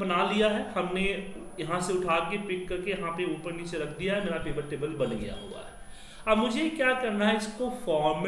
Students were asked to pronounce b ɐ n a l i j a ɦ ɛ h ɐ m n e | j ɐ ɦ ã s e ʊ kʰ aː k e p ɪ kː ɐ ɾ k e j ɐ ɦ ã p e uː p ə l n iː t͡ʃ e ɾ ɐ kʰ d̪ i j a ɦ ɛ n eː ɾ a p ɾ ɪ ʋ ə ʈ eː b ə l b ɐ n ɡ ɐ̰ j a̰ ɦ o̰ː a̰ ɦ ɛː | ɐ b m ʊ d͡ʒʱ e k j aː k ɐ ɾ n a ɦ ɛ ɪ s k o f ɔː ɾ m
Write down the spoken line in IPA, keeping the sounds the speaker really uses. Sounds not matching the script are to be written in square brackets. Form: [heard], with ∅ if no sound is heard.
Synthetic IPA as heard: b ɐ n a l i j a ɦ ɛ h ɐ m n e | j ɐ ɦ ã s e ʊ [ʈʰ] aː k e p ɪ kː ɐ ɾ k e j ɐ ɦ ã p e uː p ə [ɾ] n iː t͡ʃ e ɾ ɐ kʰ d̪ i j a ɦ ɛ [m] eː ɾ a p ɾ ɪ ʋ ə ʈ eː b ə l b ɐ n ɡ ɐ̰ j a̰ ɦ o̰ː a̰ ɦ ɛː | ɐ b m ʊ d͡ʒʱ e k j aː k ɐ ɾ n a ɦ ɛ ɪ s k o f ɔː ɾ m

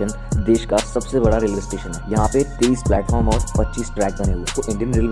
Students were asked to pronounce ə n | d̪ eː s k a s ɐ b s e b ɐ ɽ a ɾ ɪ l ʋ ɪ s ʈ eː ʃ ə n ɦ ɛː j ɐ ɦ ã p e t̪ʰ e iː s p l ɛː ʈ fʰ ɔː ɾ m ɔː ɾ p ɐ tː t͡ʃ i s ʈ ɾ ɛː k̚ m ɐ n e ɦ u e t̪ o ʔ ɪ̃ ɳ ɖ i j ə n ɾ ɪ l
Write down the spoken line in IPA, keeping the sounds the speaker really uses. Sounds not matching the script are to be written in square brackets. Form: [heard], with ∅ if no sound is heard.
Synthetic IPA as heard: ə n | d̪ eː [ʃ] k a s ɐ b s e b ɐ ɽ a ɾ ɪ l ʋ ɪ s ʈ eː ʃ ə n ɦ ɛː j ɐ ɦ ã p e [t̪] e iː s p l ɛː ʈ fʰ ɔː ɾ m ɔː ɾ p ɐ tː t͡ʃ [iː] s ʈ ɾ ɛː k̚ [b] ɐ n e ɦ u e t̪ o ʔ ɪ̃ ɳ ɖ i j ə n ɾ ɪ l

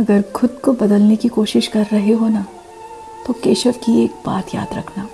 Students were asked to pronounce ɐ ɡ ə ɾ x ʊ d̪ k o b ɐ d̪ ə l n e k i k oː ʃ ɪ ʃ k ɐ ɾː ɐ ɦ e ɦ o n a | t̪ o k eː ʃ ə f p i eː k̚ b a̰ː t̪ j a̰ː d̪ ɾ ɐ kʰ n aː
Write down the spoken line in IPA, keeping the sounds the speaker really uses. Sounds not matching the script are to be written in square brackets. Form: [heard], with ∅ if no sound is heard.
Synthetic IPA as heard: ɐ ɡ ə ɾ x ʊ d̪ k o b ɐ d̪ ə l n e k i k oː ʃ ɪ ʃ k ɐ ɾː ɐ ɦ e ɦ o n a | t̪ o k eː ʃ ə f [k] i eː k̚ b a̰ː t̪ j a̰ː d̪ ɾ ɐ kʰ n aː

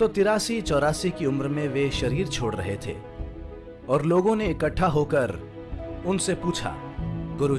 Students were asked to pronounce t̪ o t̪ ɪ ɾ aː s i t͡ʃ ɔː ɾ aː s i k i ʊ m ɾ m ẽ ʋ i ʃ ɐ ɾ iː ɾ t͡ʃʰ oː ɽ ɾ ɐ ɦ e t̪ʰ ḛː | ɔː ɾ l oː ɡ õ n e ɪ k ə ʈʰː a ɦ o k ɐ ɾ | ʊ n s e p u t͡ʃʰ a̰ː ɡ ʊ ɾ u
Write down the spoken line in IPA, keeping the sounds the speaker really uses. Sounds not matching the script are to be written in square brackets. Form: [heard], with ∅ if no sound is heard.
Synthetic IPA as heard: t̪ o t̪ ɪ ɾ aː s i t͡ʃ ɔː ɾ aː s i k i ʊ m ɾ m ẽ ʋ [e] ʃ ɐ ɾ iː ɾ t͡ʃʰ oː ɽ ɾ ɐ ɦ e t̪ʰ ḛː | ɔː ɾ l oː ɡ õ n e ɪ k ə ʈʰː a ɦ o k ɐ ɾ | ʊ n s e p [uː] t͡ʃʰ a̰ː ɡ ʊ ɾ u

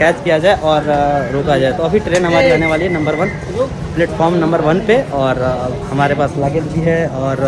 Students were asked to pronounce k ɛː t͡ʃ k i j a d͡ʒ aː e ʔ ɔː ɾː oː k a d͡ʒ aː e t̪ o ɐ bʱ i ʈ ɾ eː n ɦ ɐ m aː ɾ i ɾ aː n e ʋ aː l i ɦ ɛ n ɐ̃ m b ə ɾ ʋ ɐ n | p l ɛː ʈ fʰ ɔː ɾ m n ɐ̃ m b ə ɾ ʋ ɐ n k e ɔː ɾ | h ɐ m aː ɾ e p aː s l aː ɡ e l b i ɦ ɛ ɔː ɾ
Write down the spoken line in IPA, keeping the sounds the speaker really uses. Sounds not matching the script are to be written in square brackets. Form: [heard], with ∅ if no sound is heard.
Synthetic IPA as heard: k ɛː t͡ʃ k i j a d͡ʒ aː e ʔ ɔː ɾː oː k a d͡ʒ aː e t̪ o ɐ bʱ i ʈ ɾ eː n ɦ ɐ m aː ɾ i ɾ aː n e ʋ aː l i ɦ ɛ n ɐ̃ m b ə ɾ ʋ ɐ n | p l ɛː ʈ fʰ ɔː ɾ m n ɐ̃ m b ə ɾ ʋ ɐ n [p] e ɔː ɾ | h ɐ m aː ɾ e p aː s l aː ɡ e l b i ɦ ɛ ɔː ɾ

